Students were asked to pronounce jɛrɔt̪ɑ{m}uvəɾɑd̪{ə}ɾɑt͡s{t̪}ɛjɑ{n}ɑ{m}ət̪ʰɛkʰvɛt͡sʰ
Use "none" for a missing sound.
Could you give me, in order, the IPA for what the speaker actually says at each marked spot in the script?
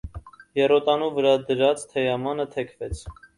n, ə, t̪ʰ, m, n

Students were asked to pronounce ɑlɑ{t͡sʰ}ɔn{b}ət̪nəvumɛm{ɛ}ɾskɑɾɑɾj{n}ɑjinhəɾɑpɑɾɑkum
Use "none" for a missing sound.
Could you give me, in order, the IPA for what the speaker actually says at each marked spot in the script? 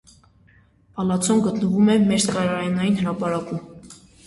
t͡sʰ, ɡ, ɛ, n

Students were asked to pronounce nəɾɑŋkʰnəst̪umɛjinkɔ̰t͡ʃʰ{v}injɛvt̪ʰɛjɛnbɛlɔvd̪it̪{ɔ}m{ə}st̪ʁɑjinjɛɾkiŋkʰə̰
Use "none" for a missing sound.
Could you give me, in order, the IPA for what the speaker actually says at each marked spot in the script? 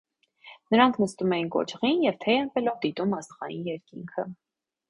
ʁ, u, ɑ

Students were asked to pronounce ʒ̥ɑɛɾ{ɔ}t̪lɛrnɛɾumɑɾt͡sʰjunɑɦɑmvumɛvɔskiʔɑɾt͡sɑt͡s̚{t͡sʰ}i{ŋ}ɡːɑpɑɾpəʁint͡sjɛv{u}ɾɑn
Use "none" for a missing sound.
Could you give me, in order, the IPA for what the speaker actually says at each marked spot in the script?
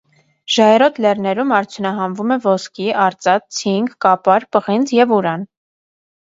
ɔ, t͡sʰ, ŋ, u

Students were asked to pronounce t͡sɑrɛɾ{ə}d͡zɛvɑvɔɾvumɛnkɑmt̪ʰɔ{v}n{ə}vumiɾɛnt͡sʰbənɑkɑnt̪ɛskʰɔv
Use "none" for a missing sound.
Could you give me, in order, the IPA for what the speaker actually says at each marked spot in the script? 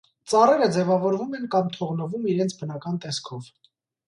ə, ʁ, ə

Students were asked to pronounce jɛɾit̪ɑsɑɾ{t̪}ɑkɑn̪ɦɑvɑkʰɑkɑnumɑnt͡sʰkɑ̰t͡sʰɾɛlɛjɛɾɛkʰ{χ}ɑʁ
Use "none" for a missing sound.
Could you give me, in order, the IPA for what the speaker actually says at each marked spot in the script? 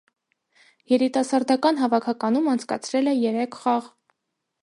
d̪, χ

